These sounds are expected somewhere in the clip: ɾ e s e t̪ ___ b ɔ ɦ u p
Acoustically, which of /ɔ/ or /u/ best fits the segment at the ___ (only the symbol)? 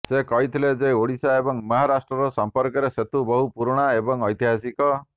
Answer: u